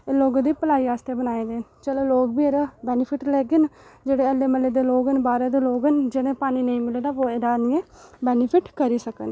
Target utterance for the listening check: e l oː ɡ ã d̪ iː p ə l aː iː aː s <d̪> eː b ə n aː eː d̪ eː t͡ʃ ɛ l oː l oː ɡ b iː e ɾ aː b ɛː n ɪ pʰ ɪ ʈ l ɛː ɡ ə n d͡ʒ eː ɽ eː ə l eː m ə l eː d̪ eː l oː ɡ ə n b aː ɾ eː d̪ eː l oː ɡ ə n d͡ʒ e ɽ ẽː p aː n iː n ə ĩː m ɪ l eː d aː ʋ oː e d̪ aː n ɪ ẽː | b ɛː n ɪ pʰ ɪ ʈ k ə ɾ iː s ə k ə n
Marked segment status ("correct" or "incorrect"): incorrect